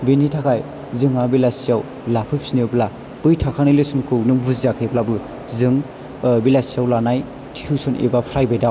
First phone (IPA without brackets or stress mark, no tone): b